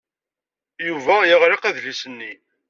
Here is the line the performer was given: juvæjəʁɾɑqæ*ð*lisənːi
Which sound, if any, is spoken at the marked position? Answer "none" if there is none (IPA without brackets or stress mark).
ð